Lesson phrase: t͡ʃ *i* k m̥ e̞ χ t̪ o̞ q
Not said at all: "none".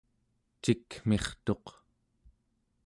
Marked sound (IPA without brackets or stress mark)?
i